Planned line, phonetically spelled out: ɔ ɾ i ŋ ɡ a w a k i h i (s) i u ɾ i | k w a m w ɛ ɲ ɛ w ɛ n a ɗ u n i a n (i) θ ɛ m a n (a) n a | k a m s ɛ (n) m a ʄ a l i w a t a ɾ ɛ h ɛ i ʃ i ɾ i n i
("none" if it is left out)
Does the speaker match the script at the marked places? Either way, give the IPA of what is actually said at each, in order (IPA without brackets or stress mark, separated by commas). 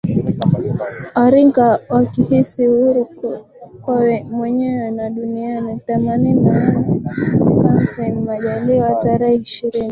s, i, i, n